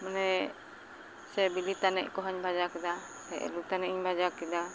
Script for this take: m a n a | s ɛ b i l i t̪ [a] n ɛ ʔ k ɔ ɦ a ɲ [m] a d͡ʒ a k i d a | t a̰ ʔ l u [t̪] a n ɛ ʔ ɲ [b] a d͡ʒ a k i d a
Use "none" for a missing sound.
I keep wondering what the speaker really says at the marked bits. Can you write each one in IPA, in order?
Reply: a, b, t̪, b

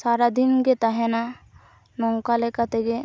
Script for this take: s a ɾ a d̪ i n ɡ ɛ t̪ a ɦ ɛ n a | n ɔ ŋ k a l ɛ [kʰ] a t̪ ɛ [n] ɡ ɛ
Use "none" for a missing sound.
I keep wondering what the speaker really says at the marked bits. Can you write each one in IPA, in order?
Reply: k, none

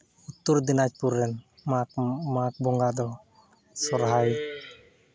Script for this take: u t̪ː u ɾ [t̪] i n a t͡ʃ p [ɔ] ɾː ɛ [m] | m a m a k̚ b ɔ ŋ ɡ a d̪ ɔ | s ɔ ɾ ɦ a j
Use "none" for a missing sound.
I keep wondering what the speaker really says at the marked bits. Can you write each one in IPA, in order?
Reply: d̪, u, n

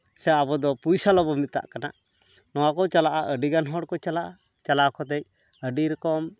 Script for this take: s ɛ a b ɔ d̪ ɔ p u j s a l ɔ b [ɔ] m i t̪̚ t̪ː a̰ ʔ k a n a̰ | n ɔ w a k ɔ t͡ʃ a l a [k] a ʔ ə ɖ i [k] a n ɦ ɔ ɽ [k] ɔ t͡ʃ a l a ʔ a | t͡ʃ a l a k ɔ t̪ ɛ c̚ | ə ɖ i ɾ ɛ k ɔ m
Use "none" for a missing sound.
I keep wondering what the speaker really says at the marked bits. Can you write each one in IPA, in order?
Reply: ɔ, ʔ, ɡ, k

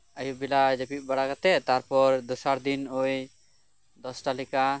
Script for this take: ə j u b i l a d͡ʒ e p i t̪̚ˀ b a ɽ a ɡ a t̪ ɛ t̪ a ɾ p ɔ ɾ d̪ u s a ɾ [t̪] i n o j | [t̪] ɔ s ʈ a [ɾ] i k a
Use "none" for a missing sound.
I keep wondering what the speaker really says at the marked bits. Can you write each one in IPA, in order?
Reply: d̪, d̪, l

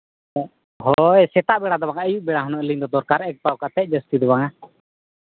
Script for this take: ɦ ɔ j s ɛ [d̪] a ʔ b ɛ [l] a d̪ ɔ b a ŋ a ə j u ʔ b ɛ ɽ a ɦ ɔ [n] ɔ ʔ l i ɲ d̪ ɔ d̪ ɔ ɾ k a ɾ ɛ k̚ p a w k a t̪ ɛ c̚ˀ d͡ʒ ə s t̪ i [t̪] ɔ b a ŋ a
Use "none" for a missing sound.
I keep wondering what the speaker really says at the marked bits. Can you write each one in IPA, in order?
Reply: t̪, ɽ, n, d̪

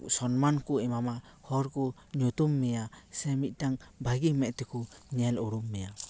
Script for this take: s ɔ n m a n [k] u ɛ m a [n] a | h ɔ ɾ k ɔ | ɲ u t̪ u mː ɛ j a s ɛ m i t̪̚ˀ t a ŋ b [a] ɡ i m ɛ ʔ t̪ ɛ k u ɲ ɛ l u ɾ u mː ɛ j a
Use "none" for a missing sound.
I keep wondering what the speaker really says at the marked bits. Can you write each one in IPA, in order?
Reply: k, m, a

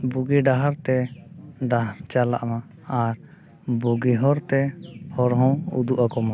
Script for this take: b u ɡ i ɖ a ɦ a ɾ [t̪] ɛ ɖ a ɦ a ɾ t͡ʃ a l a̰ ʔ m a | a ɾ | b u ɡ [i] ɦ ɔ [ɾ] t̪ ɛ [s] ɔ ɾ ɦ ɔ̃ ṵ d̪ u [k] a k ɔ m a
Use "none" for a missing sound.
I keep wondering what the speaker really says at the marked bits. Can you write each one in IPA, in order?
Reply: t̪, i, ɾ, h, ʔ

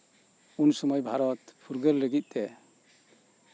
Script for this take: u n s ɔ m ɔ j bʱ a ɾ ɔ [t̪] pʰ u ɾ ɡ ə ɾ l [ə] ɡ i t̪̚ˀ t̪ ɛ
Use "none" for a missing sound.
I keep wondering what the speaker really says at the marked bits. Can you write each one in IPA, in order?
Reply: t̪, ə

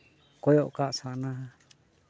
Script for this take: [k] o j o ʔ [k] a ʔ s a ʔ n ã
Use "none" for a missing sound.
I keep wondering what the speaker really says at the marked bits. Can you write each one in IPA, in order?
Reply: k, k

